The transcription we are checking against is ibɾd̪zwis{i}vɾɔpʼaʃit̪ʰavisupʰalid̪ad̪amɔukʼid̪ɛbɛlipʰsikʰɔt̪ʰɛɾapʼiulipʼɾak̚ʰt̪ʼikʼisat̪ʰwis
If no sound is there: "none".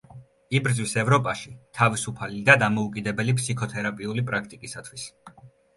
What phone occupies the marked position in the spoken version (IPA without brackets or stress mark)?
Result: ɛ